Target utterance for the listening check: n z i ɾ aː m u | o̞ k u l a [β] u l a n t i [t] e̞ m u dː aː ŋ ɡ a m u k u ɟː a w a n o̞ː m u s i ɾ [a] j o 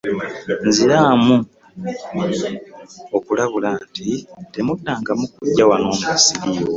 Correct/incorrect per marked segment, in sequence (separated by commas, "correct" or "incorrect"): correct, correct, incorrect